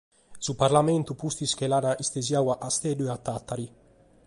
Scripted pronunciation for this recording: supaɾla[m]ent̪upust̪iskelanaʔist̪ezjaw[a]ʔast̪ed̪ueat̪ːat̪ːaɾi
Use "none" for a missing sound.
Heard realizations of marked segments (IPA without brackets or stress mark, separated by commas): m, a